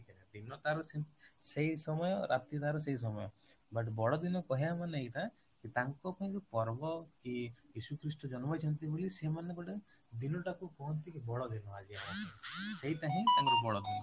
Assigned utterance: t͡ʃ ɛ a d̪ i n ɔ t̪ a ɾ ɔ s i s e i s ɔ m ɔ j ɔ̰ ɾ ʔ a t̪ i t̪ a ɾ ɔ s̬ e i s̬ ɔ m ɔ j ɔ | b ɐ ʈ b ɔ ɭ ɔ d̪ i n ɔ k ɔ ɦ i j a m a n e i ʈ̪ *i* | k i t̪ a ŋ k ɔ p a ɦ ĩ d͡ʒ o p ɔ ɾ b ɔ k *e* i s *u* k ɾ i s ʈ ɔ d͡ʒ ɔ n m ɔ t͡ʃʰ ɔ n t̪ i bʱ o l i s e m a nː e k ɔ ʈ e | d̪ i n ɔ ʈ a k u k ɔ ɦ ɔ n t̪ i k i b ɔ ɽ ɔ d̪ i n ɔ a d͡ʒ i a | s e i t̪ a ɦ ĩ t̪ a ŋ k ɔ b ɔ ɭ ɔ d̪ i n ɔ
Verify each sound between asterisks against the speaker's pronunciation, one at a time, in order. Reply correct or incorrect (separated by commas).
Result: incorrect, incorrect, correct